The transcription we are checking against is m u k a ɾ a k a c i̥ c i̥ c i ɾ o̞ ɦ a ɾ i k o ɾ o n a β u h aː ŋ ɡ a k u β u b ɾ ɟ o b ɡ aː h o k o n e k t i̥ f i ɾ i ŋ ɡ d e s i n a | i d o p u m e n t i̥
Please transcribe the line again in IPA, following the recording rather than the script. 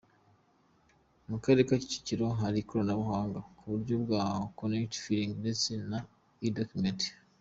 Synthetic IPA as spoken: m u k a ɾ e k a c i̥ c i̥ c i ɾ o̞ ɦ a ɾ i k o ɾ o n a β u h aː ŋ ɡ a k u β u ɾ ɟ o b ɡ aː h o k o n e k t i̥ f i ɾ i ŋ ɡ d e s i n a | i d o k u m e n t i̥